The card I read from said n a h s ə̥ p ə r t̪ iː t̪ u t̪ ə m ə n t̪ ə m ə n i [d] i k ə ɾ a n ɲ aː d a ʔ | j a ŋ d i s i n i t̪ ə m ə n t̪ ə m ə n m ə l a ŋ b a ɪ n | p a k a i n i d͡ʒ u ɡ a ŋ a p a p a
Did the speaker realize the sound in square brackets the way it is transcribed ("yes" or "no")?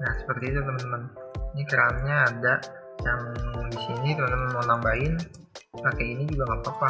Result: no